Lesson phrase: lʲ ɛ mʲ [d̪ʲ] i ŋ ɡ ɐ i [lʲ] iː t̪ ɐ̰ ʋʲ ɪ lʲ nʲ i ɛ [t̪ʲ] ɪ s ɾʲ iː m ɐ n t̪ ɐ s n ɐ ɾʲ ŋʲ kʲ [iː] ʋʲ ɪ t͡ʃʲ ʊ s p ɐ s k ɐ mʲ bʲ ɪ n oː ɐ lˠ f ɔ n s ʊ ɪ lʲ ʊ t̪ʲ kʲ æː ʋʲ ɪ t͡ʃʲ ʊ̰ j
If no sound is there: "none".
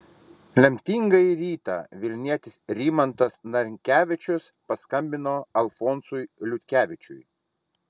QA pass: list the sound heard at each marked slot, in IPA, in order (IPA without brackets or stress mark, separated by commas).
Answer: t̪ʲ, ɾʲ, t̪ʲ, æː